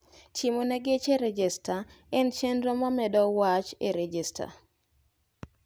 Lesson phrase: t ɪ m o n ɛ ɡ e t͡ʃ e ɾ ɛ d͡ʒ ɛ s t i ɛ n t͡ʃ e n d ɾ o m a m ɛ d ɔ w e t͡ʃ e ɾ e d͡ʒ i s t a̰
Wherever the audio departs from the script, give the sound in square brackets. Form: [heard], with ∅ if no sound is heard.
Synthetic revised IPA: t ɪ m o n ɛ ɡ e t͡ʃ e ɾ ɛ d͡ʒ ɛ s t [a] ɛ n t͡ʃ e n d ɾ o m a m ɛ d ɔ w [a] t͡ʃ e ɾ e d͡ʒ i s t a̰